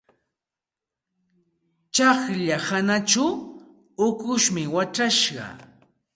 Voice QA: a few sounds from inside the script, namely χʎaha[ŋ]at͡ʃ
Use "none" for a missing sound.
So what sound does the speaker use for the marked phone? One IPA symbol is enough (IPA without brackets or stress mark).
n